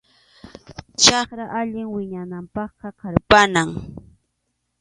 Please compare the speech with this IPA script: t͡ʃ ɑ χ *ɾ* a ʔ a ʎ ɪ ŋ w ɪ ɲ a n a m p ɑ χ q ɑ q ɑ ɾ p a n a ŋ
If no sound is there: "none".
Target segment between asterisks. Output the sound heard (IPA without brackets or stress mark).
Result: ɾ